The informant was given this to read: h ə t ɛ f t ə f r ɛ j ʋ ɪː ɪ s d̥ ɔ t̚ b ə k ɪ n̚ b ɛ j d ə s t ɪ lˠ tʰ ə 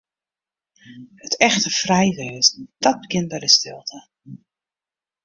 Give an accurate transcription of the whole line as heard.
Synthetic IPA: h ə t ɛ x t ə f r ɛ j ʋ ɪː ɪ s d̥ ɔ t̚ b ə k ɪ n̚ b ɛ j d ə s t ɪ lˠ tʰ ə

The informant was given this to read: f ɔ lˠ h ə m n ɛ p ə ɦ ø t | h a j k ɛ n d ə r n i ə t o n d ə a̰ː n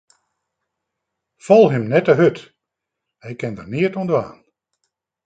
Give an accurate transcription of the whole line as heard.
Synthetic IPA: f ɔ lˠ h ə m n ɛ t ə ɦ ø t | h ɛ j k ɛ n d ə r n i ə t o n d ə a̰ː n

